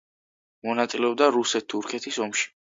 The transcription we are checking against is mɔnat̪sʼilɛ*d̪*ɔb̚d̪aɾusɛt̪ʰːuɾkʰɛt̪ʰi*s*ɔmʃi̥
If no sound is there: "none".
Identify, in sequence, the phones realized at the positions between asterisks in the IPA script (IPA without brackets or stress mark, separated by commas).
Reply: none, s